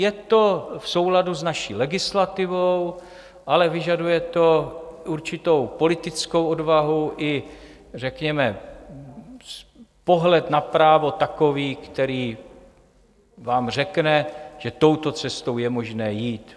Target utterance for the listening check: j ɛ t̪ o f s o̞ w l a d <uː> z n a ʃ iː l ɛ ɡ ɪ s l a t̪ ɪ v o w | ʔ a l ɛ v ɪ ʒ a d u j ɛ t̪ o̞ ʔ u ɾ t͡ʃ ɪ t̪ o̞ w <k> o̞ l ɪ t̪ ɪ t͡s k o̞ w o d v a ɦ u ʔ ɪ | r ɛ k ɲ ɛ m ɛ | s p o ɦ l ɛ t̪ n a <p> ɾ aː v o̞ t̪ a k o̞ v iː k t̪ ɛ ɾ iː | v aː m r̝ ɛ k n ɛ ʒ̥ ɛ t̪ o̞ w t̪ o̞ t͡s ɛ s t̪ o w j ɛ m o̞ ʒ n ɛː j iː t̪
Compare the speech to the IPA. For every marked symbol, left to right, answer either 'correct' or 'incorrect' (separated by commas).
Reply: incorrect, incorrect, correct